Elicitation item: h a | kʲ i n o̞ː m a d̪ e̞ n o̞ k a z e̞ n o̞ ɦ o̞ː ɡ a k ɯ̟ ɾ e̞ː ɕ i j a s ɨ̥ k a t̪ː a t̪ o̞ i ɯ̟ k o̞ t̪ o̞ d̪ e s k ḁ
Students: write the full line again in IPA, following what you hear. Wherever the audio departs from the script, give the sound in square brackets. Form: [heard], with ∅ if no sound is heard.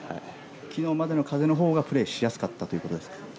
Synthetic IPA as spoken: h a | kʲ i n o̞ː m a d̪ e̞ n o̞ k a z e̞ n o̞ ɦ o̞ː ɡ a [p] ɯ̟ ɾ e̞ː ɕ i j a s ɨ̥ k a t̪ː a t̪ o̞ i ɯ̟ k o̞ t̪ o̞ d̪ e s k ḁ

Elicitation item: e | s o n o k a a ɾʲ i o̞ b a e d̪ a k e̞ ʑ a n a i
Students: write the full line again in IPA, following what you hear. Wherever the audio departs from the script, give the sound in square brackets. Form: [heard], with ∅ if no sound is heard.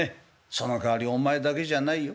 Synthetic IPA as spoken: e | s o n o k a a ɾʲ i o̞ [m] a e d̪ a k e̞ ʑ a n a i

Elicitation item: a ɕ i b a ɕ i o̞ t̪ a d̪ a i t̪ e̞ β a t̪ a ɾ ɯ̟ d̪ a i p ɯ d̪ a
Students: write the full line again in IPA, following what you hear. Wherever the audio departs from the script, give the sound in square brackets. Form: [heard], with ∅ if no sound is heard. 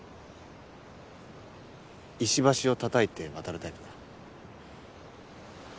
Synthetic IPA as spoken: [i] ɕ i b a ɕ i o̞ t̪ a [t̪] a i t̪ e̞ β a t̪ a ɾ ɯ̟ [t̪] a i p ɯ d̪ a

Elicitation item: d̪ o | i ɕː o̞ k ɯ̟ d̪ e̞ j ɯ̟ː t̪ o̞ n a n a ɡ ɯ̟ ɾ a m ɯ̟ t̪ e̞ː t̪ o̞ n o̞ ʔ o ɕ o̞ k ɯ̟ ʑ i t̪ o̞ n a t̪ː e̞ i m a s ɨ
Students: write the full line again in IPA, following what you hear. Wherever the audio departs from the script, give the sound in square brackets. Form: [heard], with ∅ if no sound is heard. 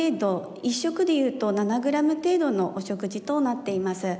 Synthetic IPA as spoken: d̪ o | i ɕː o̞ k ɯ̟ d̪ e̞ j ɯ̟ː t̪ o̞ n a n a ɡ ɯ̟ ɾ a m ɯ̟ t̪ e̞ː [d̪] o̞ n o̞ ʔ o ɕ o̞ k ɯ̟ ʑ i t̪ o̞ n a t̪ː e̞ i m a s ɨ

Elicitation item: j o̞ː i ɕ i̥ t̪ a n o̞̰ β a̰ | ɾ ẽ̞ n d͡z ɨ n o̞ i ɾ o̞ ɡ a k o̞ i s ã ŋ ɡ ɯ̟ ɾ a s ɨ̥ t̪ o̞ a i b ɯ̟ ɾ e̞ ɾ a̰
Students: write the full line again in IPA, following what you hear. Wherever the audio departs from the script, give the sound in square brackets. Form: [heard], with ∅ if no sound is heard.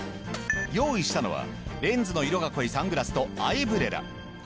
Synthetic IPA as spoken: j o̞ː i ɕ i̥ t̪ a n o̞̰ β a̰ | ɾ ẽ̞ n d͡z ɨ n o̞ i ɾ o̞ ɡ a k o̞ i s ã ŋ ɡ ɯ̟ ɾ a s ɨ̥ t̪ o̞ a i b ɯ̟ ɾ e̞ ɾ a̰

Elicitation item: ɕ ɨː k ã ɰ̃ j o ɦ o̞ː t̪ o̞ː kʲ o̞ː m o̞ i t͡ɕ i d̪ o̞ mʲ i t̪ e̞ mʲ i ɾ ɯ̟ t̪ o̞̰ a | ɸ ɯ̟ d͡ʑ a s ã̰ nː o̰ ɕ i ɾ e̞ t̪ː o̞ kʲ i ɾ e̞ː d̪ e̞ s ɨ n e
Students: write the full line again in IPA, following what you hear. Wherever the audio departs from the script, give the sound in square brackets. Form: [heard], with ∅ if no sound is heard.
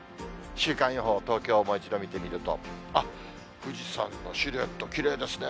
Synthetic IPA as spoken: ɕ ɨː k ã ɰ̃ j o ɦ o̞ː t̪ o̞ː kʲ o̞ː m o̞ i t͡ɕ i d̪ o̞ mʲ i t̪ e̞ mʲ i ɾ ɯ̟ t̪ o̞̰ a | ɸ ɯ̟ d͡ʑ [i] s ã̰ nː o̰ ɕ i ɾ e̞ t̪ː o̞ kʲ i ɾ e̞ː d̪ e̞ s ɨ n e

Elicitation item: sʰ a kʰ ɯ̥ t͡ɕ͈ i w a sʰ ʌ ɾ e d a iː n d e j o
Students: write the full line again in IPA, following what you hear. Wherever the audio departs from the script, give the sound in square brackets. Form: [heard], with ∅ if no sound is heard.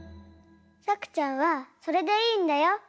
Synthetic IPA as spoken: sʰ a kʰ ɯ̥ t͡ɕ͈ [a] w a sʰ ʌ ɾ e d [e] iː n d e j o

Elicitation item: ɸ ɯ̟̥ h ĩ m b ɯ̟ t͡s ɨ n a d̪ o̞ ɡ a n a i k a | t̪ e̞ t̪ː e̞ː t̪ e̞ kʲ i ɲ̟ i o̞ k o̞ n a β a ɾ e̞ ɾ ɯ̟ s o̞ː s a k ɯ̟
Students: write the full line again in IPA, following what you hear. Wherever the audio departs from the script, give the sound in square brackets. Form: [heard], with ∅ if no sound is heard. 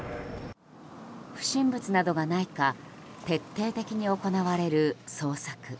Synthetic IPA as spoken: ɸ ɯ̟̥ [ɕ] ĩ m b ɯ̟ t͡s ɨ n a d̪ o̞ ɡ a n a i k a | t̪ e̞ t̪ː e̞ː t̪ e̞ kʲ i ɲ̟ i o̞ k o̞ n a β a ɾ e̞ ɾ ɯ̟ s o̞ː s a k ɯ̟

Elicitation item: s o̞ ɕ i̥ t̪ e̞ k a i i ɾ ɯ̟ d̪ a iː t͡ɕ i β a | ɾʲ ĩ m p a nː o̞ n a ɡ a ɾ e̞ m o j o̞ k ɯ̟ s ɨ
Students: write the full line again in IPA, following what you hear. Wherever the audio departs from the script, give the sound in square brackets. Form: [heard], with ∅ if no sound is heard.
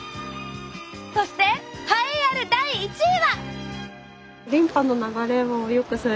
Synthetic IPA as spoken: s o̞ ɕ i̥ t̪ e̞ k a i [a] ɾ ɯ̟ d̪ a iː t͡ɕ i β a | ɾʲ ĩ m p a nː o̞ n a ɡ a ɾ e̞ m o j o̞ k ɯ̟ s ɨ

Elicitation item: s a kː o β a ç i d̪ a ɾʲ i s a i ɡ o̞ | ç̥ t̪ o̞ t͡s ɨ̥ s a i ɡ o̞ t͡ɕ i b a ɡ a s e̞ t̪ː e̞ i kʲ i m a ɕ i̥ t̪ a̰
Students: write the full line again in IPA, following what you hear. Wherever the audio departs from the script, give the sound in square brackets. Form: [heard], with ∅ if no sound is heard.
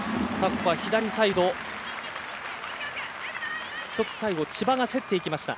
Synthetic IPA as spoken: s a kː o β a ç i d̪ a ɾʲ i s a i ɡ o̞ | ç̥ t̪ o̞ t͡s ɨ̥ s a i ɡ o̞ t͡ɕ i b a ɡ a s e̞ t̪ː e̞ i kʲ i m a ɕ i̥ t̪ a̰

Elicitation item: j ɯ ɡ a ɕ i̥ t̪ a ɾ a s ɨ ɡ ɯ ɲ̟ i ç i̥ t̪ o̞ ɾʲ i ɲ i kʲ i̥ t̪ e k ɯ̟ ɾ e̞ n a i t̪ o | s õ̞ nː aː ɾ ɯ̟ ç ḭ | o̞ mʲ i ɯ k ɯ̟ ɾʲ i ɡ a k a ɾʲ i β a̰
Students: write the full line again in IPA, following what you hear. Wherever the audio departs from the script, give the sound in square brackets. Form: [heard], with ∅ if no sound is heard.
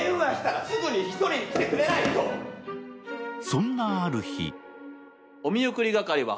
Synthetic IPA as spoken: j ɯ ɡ a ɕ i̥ t̪ a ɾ a s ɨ ɡ ɯ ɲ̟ i ç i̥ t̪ o̞ ɾʲ i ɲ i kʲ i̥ t̪ e k ɯ̟ ɾ e̞ n a i t̪ o | s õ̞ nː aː ɾ ɯ̟ ç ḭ | o̞ mʲ i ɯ k ɯ̟ ɾʲ i ɡ a k a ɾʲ i β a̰

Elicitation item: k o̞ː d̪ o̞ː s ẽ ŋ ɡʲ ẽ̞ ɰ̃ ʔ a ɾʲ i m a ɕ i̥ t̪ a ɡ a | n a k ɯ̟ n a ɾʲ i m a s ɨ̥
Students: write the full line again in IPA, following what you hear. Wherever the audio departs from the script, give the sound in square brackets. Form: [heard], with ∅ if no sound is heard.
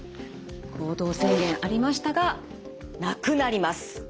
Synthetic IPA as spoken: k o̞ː d̪ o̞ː s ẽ ŋ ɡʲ ẽ̞ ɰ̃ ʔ a ɾʲ i m a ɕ i̥ t̪ a ɡ a | n a k ɯ̟ n a ɾʲ i m a s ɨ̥

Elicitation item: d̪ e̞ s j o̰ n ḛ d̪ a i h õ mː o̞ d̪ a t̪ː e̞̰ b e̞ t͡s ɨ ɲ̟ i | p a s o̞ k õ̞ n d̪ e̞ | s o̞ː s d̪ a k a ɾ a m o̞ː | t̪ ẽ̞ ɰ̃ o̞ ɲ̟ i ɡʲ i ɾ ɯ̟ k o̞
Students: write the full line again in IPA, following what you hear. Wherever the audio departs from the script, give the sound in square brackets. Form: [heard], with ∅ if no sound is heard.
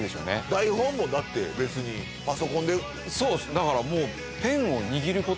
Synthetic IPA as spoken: d̪ e̞ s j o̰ n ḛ d̪ a i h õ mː o̞ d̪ a t̪ː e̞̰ b e̞ t͡s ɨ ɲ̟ i | p a s o̞ k õ̞ n d̪ e̞ | s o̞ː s d̪ a k a ɾ a m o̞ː | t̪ ẽ̞ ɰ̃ o̞ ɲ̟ i ɡʲ i ɾ ɯ̟ k o̞

